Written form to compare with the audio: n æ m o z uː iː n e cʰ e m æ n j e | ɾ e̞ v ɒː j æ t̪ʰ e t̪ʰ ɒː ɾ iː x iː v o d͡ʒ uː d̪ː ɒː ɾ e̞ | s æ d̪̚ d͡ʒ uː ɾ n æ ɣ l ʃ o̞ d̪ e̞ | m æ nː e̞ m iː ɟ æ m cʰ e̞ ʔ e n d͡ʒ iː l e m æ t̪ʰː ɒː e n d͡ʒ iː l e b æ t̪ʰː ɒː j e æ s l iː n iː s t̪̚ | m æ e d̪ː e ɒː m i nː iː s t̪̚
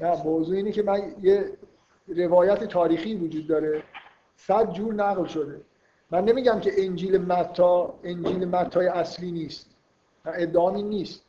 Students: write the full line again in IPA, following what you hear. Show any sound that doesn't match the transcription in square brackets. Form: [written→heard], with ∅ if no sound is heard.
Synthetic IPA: n æ m o z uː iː n e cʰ e m æ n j e | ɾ e̞ v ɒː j æ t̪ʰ e t̪ʰ ɒː ɾ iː x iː v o d͡ʒ uː d̪ː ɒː ɾ e̞ | s æ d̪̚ d͡ʒ uː ɾ n æ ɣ l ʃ o̞ d̪ e̞ | m æ nː e̞ m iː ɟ æ m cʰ e̞ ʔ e n d͡ʒ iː l e m æ t̪ʰː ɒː e n d͡ʒ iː l e [b→m] æ t̪ʰː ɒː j e æ s l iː n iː s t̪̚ | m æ e d̪ː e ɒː m i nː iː s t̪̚